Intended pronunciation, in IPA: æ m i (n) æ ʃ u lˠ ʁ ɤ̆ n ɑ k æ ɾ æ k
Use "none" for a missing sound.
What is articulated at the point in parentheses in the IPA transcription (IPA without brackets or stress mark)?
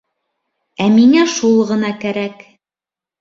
ŋ